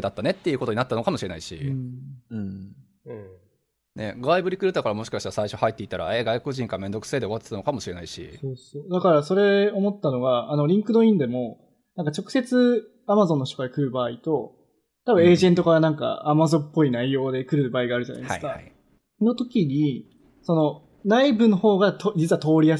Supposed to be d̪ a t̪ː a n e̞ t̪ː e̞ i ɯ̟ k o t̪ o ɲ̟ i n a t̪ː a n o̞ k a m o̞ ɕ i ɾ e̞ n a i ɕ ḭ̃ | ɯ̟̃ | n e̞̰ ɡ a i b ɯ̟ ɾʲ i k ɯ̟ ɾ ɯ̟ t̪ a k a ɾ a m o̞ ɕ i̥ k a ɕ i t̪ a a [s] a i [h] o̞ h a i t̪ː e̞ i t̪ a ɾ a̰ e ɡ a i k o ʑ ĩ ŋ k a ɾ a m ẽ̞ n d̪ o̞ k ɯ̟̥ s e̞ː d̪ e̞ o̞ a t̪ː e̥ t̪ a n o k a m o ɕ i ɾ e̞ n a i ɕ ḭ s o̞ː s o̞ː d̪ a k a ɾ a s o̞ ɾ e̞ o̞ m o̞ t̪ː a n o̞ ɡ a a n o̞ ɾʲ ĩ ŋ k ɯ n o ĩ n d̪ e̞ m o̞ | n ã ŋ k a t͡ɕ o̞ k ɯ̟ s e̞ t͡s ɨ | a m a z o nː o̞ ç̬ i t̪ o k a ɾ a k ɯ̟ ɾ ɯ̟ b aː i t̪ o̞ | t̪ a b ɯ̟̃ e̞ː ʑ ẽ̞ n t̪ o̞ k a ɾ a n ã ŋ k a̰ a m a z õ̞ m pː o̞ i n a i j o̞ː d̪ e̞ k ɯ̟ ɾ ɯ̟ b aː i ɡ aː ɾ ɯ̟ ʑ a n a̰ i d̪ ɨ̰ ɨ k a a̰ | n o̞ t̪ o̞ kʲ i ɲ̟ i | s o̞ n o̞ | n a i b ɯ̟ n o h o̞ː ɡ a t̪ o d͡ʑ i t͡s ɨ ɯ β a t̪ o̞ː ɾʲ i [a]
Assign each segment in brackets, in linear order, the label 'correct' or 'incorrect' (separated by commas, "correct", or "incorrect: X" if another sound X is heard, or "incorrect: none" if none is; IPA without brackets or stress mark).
correct, incorrect: ɕ, correct